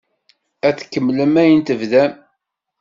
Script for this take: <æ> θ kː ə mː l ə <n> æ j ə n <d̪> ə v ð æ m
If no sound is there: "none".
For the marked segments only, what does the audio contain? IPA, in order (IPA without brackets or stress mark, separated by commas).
æ, m, t̪